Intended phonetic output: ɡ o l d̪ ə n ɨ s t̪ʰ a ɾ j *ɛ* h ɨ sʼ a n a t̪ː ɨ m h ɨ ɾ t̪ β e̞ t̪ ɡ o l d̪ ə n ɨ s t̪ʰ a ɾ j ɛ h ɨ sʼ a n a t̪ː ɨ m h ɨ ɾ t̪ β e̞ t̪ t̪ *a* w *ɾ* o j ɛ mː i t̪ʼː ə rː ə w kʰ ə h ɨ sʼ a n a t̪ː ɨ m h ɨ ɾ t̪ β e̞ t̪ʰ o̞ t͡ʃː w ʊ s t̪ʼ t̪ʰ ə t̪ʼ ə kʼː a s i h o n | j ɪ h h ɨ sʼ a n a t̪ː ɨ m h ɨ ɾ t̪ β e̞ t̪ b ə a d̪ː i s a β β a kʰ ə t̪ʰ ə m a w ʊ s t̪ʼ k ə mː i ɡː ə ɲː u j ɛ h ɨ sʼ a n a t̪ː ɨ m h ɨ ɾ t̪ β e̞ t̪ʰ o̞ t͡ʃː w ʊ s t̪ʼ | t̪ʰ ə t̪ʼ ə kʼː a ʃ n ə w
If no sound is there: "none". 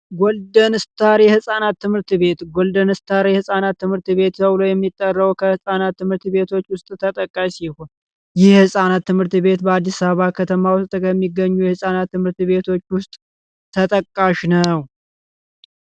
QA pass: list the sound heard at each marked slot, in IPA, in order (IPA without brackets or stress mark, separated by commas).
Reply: ɛ, ə, l